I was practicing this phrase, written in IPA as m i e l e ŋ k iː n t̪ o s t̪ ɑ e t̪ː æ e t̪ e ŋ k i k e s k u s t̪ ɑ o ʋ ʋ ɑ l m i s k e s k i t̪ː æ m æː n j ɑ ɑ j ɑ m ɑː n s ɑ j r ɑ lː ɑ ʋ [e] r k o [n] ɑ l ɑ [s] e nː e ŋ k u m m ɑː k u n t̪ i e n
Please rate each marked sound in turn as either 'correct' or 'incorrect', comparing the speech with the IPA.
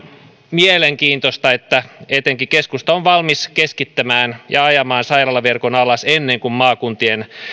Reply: correct, correct, correct

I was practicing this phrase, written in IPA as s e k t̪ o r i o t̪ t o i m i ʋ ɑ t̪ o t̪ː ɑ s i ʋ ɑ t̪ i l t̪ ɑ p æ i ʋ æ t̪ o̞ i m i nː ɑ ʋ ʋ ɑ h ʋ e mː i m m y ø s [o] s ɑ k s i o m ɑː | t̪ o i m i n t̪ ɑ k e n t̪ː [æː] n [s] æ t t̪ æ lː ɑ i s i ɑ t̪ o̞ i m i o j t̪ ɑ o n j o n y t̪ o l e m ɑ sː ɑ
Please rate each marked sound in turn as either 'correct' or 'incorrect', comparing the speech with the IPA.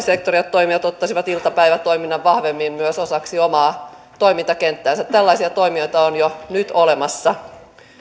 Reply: correct, correct, correct

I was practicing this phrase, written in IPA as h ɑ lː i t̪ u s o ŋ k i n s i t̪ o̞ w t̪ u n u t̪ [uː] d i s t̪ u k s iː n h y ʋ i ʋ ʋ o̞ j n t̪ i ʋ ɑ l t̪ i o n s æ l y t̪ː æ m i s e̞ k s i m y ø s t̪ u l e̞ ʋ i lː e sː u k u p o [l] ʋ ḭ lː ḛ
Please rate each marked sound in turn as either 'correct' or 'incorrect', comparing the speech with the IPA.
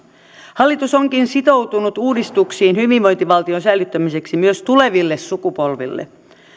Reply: correct, correct

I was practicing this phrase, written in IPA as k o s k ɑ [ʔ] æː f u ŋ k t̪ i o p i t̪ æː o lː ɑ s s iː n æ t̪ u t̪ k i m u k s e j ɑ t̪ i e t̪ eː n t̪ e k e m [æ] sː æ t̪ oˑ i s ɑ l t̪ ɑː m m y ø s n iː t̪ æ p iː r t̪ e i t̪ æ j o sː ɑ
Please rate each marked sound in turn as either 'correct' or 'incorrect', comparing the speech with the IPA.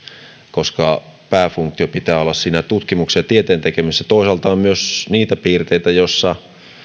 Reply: incorrect, incorrect

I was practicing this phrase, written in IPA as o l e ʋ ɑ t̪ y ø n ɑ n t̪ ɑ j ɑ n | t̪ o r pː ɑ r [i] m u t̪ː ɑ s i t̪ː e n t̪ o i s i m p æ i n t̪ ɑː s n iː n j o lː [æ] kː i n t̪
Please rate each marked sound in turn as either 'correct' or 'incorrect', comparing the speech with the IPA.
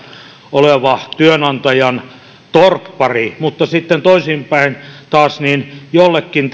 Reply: correct, incorrect

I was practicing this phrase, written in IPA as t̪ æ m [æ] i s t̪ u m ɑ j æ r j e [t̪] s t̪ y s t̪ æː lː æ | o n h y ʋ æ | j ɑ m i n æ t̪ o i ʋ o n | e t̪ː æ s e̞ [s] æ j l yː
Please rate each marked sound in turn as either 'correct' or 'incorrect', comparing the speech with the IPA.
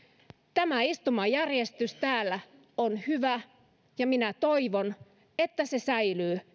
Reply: correct, incorrect, correct

